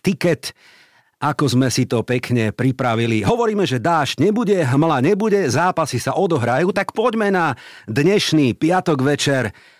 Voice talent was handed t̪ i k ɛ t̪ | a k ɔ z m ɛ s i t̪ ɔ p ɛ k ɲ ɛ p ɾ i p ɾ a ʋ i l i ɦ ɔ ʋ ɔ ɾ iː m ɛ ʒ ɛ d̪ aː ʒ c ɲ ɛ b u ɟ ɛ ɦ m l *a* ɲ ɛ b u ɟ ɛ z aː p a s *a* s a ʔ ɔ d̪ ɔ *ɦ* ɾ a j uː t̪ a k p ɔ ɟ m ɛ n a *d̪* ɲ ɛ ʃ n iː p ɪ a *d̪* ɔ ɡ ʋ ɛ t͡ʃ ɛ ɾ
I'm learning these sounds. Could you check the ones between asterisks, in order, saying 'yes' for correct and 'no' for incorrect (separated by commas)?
yes, no, yes, yes, no